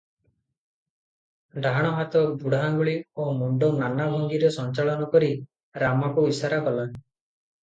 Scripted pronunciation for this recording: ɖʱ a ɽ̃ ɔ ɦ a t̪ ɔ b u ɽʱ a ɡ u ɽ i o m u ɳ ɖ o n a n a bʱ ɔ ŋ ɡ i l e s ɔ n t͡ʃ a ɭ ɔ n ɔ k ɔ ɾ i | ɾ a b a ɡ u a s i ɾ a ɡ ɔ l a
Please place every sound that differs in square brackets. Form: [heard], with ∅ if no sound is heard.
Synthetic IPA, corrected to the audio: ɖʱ a ɽ̃ ɔ ɦ a t̪ ɔ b u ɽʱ a ɡ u [ɭ] i o m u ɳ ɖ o n a n a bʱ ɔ ŋ ɡ i [ɾ] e s ɔ n t͡ʃ a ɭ ɔ n ɔ k ɔ ɾ i | ɾ a [m] a [k] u [i] s [a] ɾ a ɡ ɔ l a